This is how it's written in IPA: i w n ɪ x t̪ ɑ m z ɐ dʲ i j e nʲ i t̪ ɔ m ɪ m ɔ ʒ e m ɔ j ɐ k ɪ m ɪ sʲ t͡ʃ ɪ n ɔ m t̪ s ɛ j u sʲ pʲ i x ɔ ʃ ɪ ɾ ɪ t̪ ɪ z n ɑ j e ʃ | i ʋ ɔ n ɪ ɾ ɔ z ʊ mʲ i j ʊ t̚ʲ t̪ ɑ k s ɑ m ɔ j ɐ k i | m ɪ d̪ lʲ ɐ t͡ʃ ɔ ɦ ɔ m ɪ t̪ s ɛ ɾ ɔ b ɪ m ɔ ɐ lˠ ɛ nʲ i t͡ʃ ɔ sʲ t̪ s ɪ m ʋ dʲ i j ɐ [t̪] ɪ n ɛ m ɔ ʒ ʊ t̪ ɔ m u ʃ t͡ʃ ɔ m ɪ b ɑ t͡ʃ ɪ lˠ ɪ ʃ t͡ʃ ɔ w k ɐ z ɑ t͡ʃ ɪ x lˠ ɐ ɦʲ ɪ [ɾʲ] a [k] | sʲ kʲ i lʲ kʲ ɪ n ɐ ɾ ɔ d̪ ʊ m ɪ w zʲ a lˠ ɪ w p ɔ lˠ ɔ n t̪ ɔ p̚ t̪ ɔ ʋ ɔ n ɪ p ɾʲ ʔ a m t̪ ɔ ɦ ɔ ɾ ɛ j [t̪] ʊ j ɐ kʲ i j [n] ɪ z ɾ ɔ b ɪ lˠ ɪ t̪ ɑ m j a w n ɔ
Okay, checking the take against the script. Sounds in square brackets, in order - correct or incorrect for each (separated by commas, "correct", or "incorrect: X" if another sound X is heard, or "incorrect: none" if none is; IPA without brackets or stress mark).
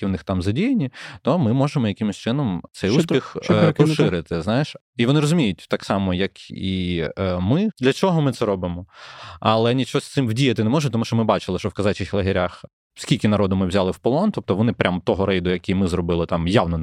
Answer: correct, correct, incorrect: x, incorrect: d̪, incorrect: m